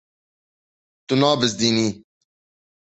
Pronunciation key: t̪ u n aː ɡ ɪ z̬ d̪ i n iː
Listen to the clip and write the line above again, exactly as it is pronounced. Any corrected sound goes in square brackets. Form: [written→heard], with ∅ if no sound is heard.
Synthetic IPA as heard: t̪ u n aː [ɡ→b] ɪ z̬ d̪ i n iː